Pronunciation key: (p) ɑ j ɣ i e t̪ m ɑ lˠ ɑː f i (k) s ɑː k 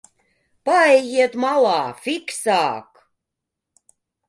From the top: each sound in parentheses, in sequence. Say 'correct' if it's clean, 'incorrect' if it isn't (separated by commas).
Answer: correct, correct